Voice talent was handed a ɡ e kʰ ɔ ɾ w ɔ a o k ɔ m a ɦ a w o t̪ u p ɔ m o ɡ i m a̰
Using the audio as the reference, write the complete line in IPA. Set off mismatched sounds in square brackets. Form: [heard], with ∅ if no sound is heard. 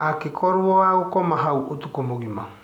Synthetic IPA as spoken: a [k] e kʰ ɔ ɾ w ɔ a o k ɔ m a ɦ a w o t̪ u [k] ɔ m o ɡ i m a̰